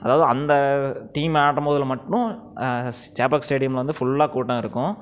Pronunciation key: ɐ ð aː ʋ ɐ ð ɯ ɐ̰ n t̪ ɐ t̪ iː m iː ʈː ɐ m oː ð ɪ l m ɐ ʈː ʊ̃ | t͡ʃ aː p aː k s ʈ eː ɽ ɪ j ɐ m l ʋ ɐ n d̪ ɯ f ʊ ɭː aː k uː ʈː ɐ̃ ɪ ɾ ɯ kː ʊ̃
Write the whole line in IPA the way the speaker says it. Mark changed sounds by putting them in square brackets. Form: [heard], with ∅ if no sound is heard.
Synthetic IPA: ɐ ð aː ʋ ɐ ð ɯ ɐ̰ n [d̪] ɐ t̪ iː m [aː] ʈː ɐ m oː ð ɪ l m ɐ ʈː ʊ̃ | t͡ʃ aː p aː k s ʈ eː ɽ ɪ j ɐ m l ʋ ɐ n d̪ ɯ f ʊ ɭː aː k uː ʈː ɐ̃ ɪ ɾ ɯ kː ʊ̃